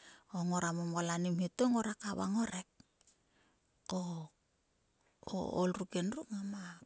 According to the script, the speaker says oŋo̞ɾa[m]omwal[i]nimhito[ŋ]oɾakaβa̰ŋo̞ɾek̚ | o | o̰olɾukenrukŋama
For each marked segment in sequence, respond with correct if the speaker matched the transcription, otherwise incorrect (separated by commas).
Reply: correct, incorrect, correct